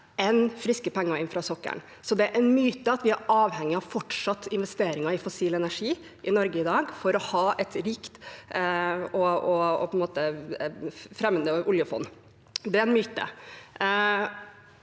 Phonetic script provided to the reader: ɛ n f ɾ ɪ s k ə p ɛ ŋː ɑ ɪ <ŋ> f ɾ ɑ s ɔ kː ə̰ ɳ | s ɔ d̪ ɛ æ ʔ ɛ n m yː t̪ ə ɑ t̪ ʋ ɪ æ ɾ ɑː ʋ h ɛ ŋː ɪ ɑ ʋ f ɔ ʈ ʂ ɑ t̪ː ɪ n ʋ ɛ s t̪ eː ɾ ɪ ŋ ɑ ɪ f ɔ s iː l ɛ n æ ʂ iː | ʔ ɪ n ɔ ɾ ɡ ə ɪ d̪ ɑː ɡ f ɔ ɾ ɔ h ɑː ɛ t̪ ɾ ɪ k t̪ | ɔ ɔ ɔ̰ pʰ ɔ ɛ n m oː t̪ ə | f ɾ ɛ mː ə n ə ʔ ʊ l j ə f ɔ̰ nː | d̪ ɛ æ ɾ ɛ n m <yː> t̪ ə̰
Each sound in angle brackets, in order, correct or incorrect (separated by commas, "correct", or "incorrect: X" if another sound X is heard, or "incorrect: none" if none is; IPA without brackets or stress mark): incorrect: n, correct